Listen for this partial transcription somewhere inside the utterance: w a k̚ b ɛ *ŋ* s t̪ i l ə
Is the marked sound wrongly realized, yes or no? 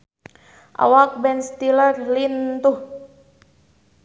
yes